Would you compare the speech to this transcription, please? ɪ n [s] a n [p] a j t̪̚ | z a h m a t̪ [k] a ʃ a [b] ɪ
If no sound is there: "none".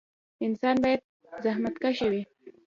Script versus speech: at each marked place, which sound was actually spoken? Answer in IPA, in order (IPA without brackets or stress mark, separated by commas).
s, b, k, w